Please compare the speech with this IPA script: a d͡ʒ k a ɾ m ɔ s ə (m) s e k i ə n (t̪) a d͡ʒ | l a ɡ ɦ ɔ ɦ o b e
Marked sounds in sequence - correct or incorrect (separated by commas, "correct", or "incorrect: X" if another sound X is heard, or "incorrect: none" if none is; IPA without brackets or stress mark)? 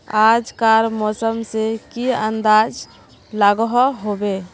correct, incorrect: d̪